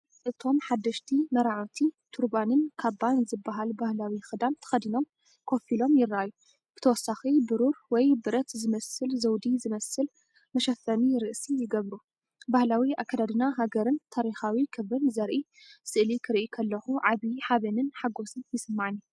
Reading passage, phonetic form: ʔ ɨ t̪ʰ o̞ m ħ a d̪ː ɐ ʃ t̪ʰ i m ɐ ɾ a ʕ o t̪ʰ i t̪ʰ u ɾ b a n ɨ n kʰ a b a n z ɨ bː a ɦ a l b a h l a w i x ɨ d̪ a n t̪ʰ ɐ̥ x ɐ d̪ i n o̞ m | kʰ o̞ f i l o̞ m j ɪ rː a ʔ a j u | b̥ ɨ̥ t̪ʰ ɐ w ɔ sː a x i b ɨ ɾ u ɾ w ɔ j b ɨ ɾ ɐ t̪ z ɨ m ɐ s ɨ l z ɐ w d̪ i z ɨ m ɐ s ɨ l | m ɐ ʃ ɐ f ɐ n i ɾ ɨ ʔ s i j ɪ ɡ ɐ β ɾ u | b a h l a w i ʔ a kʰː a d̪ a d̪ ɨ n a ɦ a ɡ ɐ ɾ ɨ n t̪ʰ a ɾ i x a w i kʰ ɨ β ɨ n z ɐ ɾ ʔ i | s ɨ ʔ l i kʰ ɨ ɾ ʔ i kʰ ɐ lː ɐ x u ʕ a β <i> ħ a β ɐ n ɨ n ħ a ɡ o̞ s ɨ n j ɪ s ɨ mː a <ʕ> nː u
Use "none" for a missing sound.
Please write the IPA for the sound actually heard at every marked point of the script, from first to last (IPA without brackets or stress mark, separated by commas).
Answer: i, ʕ